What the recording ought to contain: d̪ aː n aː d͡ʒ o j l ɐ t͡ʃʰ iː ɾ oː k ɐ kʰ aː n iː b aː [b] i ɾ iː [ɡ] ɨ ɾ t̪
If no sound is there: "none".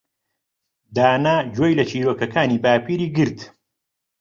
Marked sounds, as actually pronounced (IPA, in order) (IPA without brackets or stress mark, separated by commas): p, ɡ